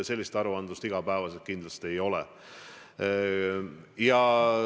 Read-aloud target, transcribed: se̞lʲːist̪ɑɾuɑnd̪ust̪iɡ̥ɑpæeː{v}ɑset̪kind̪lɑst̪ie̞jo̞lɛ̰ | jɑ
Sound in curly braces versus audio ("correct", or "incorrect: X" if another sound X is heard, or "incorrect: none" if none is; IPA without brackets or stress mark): correct